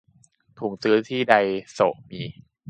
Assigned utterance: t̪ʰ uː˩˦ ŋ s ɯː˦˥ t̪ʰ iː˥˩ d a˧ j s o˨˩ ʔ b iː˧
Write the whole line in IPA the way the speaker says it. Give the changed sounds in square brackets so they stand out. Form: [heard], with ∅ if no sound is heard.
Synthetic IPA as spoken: t̪ʰ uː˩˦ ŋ s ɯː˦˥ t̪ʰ iː˥˩ d a˧ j s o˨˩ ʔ [m] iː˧